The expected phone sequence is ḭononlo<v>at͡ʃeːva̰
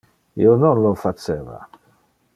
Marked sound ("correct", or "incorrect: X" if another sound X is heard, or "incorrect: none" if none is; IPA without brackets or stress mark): incorrect: f